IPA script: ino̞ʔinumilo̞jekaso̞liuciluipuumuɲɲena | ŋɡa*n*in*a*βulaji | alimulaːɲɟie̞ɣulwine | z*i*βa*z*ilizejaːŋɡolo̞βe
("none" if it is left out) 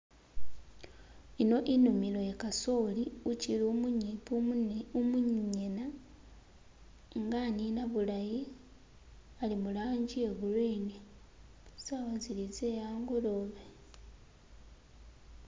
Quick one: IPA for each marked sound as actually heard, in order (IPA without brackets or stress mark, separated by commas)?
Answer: n, a, a, z